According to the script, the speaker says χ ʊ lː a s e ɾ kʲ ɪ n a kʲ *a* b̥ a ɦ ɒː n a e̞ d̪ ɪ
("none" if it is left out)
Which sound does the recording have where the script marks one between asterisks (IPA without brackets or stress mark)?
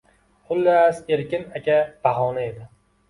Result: a